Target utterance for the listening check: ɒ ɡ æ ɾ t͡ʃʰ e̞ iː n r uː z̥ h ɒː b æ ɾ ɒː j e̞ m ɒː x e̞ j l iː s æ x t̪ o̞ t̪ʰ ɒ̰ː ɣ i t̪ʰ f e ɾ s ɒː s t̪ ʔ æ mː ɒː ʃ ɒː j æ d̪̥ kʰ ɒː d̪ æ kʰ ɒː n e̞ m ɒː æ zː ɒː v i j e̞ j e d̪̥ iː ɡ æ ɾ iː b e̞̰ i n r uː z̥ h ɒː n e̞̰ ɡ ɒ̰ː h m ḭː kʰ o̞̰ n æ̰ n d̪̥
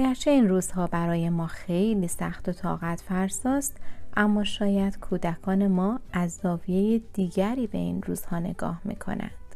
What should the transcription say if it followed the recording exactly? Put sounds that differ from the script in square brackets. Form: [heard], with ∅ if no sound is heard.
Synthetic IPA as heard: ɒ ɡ æ ɾ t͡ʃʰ e̞ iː n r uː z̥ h ɒː b æ ɾ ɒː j e̞ m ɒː x e̞ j l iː s æ x t̪ o̞ t̪ʰ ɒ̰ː ɣ [æ] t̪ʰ f [æ] ɾ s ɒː s t̪ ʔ æ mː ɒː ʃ ɒː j æ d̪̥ kʰ [uː] d̪ æ kʰ ɒː n e̞ m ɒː æ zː ɒː v i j e̞ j e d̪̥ iː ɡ æ ɾ iː b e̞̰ i n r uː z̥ h ɒː n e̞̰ ɡ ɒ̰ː h m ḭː kʰ o̞̰ n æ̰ n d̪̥